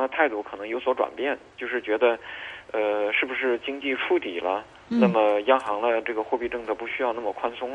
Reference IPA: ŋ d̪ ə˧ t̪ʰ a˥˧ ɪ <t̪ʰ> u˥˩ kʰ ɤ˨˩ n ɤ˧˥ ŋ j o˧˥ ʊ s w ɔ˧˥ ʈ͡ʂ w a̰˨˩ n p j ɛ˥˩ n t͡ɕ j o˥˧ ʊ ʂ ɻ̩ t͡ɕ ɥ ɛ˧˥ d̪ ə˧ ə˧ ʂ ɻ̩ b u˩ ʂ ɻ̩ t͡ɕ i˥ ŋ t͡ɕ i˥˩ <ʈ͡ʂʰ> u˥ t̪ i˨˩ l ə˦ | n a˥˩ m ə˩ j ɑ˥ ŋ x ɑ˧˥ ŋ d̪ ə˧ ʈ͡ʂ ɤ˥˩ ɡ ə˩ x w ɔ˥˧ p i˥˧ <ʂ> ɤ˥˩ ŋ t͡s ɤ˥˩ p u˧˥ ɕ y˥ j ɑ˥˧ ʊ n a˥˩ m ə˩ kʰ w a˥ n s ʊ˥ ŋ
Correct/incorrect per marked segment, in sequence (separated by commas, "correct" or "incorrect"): incorrect, correct, incorrect